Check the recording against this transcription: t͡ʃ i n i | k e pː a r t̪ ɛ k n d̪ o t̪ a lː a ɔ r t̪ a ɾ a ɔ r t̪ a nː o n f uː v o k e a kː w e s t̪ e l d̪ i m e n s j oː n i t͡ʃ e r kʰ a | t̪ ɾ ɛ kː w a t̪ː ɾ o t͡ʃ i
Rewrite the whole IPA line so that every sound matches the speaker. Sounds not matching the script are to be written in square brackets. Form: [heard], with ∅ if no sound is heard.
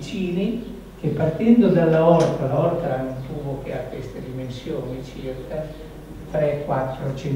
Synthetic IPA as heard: t͡ʃ [iː] n i | k e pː a r t̪ ɛ [∅] n d̪ o [d̪] a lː a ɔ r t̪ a [l] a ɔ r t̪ a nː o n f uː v o k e a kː w e s t̪ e [∅] d̪ i m e n s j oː n i t͡ʃ [i] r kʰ a | t̪ ɾ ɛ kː w a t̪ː ɾ o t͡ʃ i